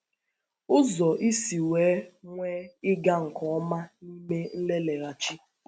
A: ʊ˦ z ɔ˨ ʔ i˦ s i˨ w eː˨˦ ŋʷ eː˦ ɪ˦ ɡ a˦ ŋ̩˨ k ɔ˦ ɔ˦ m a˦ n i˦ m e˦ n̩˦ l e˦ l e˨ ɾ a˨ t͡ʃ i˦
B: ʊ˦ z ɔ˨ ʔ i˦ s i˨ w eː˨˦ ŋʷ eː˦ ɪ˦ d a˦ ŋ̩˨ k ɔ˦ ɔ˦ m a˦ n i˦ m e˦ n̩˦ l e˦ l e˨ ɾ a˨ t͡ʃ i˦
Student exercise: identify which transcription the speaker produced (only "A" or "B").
A